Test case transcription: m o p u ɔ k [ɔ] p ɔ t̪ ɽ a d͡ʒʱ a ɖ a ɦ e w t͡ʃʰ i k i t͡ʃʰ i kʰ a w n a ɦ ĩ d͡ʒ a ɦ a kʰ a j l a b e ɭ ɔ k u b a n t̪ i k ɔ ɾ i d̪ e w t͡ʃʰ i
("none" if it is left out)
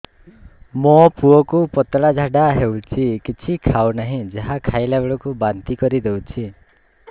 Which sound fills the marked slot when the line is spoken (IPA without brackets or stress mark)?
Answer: u